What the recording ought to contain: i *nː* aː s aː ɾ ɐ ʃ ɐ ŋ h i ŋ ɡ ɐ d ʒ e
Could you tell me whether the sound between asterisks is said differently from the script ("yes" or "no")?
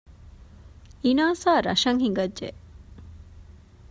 yes